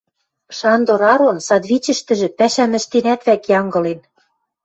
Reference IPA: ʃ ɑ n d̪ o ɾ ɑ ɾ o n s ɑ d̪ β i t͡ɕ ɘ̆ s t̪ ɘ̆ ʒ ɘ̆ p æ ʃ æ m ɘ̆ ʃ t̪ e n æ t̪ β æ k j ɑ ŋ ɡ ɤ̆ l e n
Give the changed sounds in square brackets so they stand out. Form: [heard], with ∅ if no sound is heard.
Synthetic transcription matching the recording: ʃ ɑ n d̪ o ɾ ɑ ɾ o n s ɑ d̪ β i t͡ɕ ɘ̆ [ʃ] t̪ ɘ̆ ʒ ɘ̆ p æ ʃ æ m ɘ̆ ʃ t̪ e n æ t̪ β æ k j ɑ ŋ ɡ ɤ̆ l e n